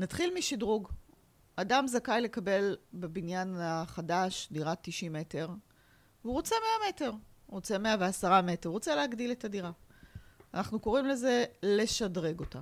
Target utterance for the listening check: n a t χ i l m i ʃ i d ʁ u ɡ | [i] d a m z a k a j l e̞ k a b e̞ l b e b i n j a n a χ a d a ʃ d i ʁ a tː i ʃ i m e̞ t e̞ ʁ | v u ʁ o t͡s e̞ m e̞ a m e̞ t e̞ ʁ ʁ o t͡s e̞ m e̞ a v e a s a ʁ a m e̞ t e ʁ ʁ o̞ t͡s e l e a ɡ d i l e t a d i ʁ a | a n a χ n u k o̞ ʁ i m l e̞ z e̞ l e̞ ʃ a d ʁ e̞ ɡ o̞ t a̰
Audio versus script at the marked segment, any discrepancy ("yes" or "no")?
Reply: yes